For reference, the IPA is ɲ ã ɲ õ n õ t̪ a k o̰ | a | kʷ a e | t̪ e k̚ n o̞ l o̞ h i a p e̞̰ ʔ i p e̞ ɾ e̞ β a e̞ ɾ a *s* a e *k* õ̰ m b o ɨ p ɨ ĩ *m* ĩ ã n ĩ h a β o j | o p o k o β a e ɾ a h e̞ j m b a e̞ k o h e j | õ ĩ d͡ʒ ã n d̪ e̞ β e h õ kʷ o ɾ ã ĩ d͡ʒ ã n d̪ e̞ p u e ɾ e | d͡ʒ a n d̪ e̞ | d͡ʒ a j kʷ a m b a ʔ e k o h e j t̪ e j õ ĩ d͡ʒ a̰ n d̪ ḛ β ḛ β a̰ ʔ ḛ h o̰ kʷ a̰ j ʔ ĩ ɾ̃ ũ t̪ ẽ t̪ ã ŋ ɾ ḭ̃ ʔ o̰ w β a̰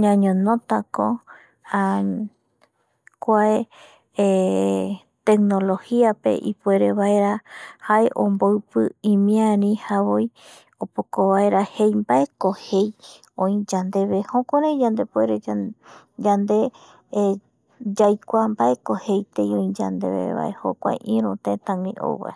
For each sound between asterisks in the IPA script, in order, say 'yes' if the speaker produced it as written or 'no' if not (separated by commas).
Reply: no, no, yes